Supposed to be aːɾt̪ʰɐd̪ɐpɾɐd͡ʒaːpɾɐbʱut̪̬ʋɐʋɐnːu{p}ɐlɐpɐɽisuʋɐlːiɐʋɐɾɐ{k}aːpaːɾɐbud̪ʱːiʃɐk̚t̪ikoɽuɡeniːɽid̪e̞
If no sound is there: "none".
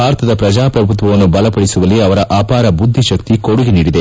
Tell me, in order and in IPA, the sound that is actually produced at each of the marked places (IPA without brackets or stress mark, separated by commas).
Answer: b, ʔ